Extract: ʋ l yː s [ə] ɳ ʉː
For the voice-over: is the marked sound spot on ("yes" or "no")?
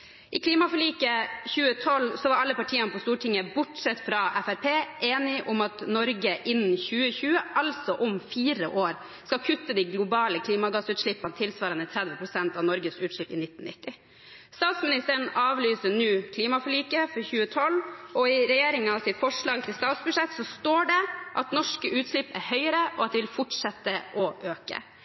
yes